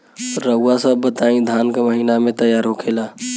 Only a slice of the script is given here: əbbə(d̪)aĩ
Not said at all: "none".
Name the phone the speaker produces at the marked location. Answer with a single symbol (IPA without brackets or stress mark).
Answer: t̪